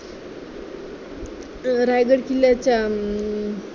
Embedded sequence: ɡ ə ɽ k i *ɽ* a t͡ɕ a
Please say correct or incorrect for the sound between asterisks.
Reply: incorrect